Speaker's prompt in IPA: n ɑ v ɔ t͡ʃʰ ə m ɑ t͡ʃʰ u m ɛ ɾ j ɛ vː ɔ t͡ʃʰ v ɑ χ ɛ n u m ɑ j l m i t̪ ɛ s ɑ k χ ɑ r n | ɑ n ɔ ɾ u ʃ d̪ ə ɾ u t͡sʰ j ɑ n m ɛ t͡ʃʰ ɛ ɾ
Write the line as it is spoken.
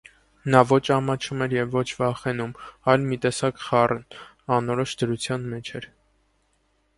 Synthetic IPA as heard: n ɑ v ɔ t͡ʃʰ ɑ m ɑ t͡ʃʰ u m ɛ ɾ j ɛ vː ɔ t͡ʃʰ v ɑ χ ɛ n u m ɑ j l m i t̪ ɛ s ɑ k χ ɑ r n | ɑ n ɔ ɾ ɔ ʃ d̪ ə ɾ u t͡sʰ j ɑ n m ɛ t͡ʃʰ ɛ ɾ